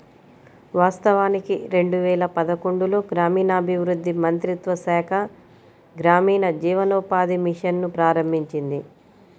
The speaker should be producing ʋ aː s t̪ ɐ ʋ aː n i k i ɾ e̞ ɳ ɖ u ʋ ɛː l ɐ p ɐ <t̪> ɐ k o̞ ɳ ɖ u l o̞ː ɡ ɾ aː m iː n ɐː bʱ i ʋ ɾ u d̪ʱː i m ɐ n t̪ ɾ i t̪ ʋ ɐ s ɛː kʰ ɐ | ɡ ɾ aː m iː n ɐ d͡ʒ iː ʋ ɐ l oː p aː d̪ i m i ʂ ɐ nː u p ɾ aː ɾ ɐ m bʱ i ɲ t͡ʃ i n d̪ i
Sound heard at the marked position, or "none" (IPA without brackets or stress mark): d̪